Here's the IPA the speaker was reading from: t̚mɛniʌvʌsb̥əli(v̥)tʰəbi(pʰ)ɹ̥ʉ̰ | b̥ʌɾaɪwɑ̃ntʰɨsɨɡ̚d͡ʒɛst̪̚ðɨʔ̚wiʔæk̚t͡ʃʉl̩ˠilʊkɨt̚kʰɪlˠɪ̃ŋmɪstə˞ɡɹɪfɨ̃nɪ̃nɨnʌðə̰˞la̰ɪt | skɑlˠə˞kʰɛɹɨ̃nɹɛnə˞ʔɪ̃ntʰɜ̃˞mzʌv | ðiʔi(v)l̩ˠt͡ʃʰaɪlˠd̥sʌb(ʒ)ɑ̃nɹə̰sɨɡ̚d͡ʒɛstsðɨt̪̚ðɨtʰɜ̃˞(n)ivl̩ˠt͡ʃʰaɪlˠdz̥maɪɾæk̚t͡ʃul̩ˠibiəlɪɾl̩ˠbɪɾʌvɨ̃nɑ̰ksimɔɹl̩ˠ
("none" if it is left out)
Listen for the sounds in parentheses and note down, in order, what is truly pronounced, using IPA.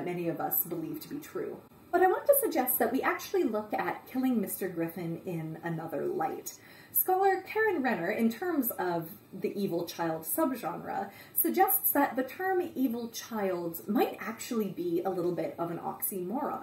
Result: v̥, tʰ, v, ʒ, m

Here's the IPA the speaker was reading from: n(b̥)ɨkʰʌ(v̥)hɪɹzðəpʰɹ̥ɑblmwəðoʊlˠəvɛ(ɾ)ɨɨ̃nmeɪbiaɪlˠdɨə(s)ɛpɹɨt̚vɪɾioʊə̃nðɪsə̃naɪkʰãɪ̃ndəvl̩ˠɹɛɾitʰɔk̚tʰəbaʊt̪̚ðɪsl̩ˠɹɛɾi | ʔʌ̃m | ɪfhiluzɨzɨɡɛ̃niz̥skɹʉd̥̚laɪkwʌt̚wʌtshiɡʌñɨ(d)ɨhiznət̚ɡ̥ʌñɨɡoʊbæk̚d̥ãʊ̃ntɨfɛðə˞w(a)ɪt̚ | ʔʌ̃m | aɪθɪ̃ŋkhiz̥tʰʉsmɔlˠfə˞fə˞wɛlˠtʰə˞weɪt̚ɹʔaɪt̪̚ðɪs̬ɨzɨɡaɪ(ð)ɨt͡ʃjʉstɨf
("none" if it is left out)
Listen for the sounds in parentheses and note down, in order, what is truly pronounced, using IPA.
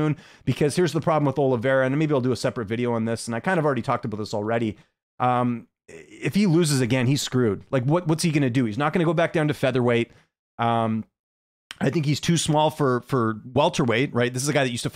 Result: b̥, z̥, ɹ, s, d, e, ð

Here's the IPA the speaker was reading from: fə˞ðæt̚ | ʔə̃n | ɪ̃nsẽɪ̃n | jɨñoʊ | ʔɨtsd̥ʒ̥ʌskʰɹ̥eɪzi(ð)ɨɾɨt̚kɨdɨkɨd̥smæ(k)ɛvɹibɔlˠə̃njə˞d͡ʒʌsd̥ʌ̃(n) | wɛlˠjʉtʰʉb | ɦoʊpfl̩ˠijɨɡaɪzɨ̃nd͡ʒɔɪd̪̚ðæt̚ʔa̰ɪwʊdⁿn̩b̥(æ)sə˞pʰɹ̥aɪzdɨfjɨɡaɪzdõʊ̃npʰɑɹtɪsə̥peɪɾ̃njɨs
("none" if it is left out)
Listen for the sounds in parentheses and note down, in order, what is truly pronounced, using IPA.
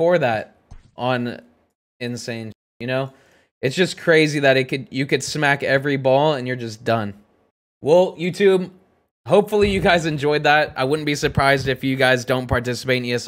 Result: ð, k, n, i

